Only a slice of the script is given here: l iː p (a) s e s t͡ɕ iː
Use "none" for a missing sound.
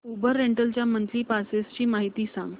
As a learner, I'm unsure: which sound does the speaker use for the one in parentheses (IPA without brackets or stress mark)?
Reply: a